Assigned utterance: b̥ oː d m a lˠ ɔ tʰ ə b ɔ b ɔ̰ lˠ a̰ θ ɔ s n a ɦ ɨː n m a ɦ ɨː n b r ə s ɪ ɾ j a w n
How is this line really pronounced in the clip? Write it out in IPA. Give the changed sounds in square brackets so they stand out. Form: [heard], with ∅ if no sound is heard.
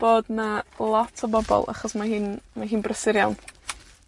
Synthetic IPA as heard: b̥ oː d [n] a lˠ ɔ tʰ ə b ɔ b ɔ̰ lˠ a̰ [χ] ɔ s [m] a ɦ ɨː n m a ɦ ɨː n b r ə s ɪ ɾ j a w n

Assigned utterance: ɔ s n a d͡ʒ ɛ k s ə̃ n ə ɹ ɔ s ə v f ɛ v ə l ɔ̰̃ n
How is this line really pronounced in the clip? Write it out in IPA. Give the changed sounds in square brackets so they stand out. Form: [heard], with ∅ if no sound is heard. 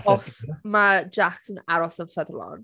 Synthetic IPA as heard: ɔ s [m] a d͡ʒ [a] k s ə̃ n [a] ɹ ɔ s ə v f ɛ [ð] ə l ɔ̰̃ n

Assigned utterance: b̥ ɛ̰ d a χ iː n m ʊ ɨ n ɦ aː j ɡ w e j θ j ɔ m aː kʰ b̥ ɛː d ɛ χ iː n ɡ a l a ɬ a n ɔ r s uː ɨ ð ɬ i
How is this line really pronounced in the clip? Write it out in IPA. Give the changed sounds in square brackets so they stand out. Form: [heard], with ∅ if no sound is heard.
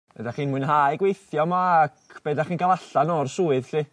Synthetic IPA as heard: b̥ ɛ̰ d a χ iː n m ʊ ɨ n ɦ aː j ɡ w e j θ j ɔ m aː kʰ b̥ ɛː d [a] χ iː n ɡ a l a ɬ a n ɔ r s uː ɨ ð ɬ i

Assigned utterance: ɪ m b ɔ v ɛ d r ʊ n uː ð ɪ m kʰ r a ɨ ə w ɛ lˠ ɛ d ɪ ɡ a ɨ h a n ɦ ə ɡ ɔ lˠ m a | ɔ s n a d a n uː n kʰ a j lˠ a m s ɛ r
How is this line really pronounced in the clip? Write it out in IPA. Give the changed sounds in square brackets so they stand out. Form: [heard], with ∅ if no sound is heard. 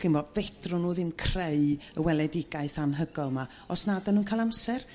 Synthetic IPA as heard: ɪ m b ɔ v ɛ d r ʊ n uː ð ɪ m kʰ r [e] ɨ ə w ɛ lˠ ɛ d ɪ ɡ a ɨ [θ] a n ɦ ə ɡ ɔ lˠ m a | ɔ s n a d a n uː n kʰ a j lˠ a m s ɛ r

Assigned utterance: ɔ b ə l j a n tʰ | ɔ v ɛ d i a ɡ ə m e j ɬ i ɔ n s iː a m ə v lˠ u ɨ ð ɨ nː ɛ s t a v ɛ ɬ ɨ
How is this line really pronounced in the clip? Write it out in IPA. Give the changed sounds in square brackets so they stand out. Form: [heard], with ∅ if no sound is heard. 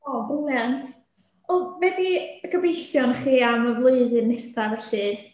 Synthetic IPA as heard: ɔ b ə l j a n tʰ | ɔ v ɛ d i [ə] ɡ ə [b] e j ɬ [j] ɔ n [χ] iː a m ə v lˠ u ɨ ð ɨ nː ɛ s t a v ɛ ɬ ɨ

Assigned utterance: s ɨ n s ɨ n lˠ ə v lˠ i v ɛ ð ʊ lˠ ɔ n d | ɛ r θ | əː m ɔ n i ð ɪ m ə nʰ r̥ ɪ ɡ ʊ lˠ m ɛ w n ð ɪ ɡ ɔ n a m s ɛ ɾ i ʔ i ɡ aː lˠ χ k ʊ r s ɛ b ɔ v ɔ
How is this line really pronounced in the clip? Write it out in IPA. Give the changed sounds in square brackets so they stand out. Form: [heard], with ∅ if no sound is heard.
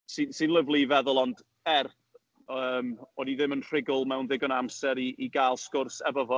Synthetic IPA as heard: s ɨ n s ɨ n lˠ ə v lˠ i v ɛ ð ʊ lˠ ɔ n d | ɛ r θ | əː m ɔ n i ð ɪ m ə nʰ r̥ ɪ ɡ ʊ lˠ m ɛ w n ð ɪ ɡ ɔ n a m s ɛ ɾ i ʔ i ɡ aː lˠ [s] k ʊ r s ɛ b ɔ v ɔ

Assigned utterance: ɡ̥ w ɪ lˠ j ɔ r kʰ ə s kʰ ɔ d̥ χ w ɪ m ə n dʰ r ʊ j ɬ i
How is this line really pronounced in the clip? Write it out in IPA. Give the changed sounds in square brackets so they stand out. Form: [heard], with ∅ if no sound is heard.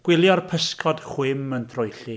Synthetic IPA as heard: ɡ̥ w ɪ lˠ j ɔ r [pʰ] ə s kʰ ɔ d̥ χ w ɪ m ə n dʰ r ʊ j ɬ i

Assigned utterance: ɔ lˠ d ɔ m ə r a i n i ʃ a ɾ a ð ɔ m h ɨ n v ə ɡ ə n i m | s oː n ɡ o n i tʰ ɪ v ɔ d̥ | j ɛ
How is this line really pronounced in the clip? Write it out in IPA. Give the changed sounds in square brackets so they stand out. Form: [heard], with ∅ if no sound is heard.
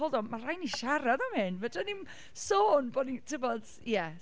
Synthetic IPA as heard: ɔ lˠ d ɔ m [a] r a [j] n i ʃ a ɾ a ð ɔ m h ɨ n v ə [d] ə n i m | s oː n [b] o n i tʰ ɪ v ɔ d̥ | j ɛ

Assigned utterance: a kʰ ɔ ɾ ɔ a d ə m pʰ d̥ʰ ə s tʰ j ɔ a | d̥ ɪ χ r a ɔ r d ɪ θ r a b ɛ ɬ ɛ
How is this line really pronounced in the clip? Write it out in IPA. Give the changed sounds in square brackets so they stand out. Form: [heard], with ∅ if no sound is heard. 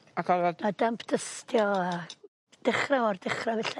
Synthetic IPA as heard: a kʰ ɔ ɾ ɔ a d [a] m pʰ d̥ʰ ə s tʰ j ɔ a | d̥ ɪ χ r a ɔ r d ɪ [χ] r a [v] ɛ ɬ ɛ

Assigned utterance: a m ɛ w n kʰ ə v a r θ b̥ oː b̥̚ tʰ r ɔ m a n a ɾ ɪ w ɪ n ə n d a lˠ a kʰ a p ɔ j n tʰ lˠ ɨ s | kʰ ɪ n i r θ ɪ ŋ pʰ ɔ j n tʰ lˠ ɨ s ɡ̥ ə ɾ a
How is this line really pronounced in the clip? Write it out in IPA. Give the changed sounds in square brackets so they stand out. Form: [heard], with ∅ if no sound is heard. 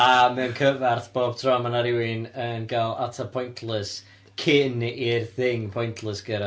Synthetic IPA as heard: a m ɛ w n kʰ ə v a r θ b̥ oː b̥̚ tʰ r ɔ m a n a ɾ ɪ w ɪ n ə n [ɡ] a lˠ a [tʰ] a [pʰ] ɔ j n tʰ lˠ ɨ s | kʰ ɪ n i r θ ɪ ŋ pʰ ɔ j n tʰ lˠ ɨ s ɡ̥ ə ɾ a

